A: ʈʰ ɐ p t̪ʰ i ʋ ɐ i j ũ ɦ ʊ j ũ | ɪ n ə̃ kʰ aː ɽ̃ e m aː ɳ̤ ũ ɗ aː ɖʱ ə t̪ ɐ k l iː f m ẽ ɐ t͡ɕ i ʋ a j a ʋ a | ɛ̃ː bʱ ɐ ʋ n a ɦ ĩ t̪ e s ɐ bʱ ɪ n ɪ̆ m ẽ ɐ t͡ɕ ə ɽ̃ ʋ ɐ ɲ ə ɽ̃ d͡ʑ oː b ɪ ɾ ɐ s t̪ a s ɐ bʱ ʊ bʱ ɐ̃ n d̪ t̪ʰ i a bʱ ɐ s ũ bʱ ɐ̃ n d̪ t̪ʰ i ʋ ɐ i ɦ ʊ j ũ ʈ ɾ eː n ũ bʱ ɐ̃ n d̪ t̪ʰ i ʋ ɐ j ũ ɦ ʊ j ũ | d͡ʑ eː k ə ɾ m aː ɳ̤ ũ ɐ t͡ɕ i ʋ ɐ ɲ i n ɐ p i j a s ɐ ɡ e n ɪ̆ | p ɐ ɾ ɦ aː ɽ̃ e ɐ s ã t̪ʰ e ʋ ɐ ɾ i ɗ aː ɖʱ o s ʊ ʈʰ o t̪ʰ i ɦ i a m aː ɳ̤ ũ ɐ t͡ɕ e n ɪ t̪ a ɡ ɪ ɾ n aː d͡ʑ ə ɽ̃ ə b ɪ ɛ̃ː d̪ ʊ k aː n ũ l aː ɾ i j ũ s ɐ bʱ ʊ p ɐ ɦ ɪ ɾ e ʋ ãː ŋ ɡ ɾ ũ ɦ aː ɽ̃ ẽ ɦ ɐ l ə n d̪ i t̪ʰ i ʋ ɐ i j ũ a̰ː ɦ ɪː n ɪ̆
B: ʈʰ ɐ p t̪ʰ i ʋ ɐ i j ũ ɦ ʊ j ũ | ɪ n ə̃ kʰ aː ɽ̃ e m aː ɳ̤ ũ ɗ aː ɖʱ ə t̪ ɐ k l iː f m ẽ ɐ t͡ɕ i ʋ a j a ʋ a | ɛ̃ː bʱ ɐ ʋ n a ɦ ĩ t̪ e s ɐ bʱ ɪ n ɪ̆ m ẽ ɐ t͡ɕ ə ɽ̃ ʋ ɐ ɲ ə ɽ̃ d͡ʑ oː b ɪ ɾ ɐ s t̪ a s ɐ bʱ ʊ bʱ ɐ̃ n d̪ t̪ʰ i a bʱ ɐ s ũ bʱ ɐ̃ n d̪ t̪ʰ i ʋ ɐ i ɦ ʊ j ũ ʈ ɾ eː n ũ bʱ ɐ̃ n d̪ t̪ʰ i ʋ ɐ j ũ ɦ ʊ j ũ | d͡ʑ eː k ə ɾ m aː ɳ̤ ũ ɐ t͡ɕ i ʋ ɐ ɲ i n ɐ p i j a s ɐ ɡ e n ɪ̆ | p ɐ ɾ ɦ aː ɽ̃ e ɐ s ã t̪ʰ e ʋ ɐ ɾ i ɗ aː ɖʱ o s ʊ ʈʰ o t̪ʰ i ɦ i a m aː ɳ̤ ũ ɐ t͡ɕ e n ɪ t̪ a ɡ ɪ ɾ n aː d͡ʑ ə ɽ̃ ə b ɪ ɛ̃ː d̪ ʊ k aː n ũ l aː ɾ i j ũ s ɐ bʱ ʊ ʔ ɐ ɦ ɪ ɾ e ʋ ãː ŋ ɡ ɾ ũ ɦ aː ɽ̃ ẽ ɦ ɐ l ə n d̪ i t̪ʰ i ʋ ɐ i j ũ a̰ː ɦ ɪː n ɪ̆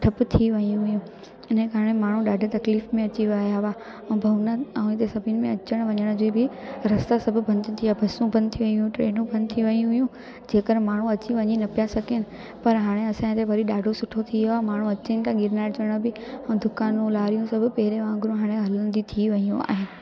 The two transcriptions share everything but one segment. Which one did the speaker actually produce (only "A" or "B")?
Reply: A